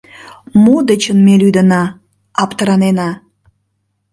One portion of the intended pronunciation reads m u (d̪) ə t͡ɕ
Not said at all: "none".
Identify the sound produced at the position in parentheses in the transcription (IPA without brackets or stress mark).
d̪